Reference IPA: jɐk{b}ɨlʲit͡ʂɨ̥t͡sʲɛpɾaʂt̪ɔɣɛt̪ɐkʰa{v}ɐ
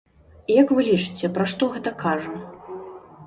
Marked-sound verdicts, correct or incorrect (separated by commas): incorrect, incorrect